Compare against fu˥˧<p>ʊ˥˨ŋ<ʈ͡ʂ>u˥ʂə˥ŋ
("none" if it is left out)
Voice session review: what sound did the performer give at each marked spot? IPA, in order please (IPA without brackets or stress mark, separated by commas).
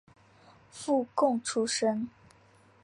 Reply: k, ʈ͡ʂʰ